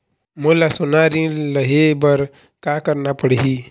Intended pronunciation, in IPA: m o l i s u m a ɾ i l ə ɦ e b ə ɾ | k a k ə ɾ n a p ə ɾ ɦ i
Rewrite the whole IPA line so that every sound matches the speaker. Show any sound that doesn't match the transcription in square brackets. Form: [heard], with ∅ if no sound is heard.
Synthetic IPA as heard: m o l [a] s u [n] a ɾ i l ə ɦ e b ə ɾ | k a k ə ɾ n a p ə [ɽ] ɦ i